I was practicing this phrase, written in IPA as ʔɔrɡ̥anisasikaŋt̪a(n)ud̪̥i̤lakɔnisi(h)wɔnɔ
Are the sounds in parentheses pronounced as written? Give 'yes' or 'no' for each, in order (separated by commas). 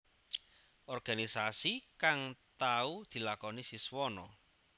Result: no, no